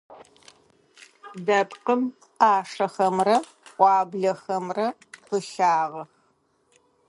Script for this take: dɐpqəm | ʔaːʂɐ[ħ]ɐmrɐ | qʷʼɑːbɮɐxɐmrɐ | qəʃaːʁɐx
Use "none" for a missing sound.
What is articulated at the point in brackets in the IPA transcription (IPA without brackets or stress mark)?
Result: x